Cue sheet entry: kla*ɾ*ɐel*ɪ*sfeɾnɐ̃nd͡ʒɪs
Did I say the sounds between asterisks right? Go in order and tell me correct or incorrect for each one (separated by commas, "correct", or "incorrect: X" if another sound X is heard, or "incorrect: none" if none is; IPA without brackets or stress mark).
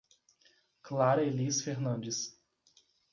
correct, incorrect: i